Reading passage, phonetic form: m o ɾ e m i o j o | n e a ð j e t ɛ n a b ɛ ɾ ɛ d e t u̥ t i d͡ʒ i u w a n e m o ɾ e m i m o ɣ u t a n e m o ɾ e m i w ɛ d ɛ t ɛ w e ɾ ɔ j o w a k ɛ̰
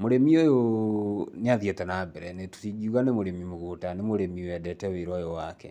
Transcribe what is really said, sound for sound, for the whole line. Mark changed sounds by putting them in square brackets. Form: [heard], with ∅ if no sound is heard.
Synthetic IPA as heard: m o ɾ e m i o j o | n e a ð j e t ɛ n a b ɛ ɾ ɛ [n] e t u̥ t i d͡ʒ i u [ɣ] a n e m o ɾ e m i m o ɣ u t a n e m o ɾ e m i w ɛ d ɛ t ɛ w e ɾ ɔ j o w a k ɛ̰